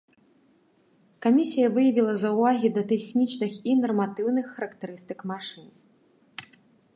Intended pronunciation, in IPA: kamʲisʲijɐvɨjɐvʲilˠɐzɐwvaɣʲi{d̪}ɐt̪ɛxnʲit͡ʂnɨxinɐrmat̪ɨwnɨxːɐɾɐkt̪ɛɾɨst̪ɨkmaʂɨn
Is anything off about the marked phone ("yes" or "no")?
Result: no